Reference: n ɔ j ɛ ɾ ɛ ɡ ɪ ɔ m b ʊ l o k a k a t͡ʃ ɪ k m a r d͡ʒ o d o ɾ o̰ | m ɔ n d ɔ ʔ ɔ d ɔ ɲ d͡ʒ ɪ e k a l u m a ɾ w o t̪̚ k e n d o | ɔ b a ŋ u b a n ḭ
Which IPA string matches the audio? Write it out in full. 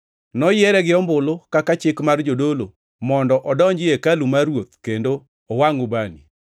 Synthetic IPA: n ɔ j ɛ ɾ ɛ ɡ ɪ ɔ m b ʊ l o k a k a t͡ʃ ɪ k m a r d͡ʒ o d o l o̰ | m ɔ n d ɔ ʔ ɔ d ɔ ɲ d͡ʒ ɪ e k a l u m a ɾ w o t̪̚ k e n d o | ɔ w a ŋ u b a n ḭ